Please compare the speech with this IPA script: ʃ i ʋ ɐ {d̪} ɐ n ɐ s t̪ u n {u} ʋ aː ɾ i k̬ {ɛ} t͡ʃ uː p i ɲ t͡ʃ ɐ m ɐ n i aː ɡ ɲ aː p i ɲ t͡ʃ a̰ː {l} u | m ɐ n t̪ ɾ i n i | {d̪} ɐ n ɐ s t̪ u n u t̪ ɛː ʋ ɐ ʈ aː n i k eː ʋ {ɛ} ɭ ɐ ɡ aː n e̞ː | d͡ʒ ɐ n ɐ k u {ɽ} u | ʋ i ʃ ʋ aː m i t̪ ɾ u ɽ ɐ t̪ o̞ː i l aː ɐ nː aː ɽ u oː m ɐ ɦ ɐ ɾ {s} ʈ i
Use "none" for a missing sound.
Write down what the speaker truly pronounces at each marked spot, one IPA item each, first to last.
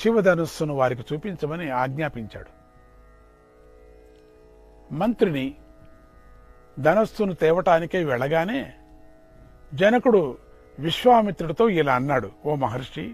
d̪, u, i, ɽ, d̪, ɛ, ɽ, ʂ

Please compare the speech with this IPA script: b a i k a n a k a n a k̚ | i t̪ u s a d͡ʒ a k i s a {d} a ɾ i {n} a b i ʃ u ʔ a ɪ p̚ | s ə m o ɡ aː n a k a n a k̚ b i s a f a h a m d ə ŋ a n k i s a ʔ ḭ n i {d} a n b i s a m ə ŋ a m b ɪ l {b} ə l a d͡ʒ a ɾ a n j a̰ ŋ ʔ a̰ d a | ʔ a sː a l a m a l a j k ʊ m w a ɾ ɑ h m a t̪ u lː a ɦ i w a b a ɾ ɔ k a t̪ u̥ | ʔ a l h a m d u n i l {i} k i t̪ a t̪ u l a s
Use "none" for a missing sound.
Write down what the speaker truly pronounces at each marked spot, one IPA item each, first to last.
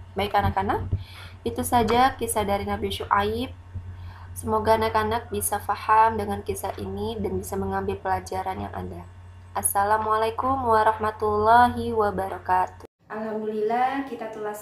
d, n, d, p, a

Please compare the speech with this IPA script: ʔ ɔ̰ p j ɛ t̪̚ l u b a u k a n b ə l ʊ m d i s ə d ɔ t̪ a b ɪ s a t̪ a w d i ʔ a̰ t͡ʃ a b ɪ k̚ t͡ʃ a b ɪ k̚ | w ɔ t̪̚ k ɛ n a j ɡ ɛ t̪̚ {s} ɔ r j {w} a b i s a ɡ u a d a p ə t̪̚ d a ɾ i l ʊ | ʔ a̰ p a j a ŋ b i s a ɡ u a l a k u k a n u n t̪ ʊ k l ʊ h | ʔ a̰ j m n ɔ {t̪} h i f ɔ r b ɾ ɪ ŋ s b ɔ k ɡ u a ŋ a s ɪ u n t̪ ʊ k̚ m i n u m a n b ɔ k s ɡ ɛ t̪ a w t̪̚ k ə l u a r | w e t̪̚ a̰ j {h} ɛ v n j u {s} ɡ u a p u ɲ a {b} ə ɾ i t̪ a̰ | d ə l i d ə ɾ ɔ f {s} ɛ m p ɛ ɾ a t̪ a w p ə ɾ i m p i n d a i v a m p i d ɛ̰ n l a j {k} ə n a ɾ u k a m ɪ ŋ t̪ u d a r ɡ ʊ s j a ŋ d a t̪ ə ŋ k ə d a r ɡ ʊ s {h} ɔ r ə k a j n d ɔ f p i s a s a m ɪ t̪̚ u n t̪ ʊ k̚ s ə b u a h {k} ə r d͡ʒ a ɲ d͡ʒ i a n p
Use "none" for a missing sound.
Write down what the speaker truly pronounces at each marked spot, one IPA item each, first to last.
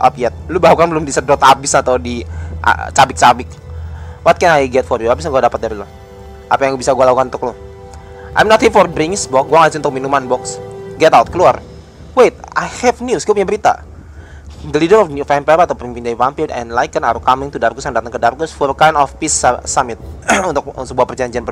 f, u, t̪, h, s, b, f, k, f, p

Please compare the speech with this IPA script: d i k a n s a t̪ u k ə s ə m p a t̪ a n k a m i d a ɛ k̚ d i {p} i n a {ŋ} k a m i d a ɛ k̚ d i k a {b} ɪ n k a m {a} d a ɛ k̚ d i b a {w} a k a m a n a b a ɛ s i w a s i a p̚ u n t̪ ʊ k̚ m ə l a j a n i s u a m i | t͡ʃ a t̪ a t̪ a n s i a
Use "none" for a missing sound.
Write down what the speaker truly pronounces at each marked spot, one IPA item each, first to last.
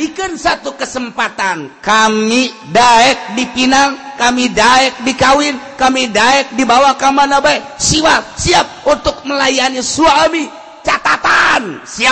p, ŋ, w, i, w

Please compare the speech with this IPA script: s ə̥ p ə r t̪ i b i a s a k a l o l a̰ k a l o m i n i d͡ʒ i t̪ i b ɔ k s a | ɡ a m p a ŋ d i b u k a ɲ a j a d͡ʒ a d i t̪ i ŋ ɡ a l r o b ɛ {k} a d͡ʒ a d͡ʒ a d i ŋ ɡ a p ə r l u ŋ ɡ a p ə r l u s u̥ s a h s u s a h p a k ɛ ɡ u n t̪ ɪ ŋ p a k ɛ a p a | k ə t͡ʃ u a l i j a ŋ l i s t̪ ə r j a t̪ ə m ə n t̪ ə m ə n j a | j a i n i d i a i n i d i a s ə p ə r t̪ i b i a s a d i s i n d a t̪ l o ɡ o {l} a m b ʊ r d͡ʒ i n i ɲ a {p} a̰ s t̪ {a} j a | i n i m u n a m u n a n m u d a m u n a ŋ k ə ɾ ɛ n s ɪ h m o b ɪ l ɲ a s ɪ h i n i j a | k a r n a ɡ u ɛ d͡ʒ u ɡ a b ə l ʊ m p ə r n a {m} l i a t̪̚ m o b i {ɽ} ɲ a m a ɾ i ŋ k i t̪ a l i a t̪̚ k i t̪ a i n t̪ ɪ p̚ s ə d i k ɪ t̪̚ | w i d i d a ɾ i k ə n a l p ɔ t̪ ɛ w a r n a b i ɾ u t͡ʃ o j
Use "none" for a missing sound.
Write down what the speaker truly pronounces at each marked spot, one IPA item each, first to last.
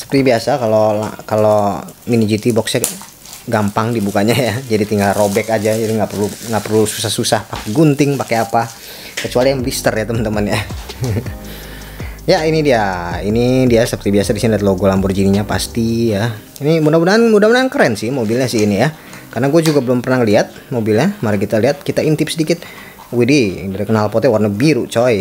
k, l, p, i, ŋ, l

